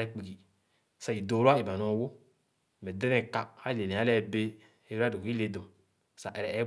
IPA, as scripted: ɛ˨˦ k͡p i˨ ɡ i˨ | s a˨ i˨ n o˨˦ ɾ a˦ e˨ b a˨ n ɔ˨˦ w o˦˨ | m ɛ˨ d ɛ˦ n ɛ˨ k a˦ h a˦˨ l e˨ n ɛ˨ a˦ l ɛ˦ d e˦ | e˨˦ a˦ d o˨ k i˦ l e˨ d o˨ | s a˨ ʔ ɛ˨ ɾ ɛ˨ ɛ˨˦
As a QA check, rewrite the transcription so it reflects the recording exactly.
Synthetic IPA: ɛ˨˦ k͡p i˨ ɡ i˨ | s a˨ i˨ d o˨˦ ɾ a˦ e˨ b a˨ n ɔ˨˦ w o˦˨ | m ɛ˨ d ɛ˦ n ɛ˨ k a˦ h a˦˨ l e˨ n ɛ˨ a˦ l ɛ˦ b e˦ | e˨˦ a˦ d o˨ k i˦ l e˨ d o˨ | s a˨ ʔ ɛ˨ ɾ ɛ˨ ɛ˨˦